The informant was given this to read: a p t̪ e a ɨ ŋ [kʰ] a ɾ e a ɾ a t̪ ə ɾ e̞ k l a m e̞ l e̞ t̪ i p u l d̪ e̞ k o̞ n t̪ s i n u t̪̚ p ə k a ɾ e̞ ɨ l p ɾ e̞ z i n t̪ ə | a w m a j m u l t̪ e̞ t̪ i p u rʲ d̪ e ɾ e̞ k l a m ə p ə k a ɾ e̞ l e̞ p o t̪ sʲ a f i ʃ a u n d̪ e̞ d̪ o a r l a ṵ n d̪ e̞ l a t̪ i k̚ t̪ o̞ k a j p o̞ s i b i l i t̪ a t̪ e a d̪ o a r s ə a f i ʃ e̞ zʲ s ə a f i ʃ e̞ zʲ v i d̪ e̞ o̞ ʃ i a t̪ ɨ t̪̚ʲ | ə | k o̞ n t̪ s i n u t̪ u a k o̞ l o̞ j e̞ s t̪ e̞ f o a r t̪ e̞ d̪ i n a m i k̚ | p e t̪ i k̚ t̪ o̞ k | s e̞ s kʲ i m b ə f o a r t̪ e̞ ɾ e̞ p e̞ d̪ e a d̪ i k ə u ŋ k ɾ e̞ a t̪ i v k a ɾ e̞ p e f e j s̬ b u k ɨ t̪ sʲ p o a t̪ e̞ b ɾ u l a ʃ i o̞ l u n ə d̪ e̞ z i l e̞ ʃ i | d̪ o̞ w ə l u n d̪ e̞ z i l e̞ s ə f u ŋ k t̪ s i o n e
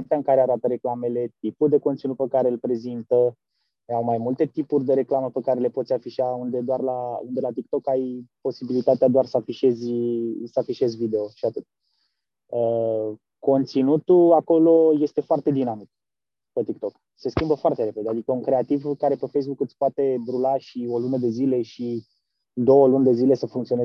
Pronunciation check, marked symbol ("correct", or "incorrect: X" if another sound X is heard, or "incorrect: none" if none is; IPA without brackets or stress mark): incorrect: k